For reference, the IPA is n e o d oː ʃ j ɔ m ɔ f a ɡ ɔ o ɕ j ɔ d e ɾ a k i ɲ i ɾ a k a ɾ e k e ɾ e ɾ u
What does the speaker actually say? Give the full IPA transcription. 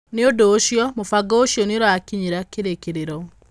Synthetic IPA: n e o d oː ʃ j ɔ m o f a ɡ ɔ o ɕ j ɔ n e ɾ a k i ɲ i ɾ a k e ɾ e k e ɾ e ɾ ɔ